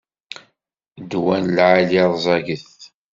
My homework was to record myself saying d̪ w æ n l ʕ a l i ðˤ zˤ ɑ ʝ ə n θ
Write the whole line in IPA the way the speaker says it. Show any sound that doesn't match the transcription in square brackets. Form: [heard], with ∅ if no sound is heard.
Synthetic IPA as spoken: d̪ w æ n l ʕ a l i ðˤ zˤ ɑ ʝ ə [∅] θ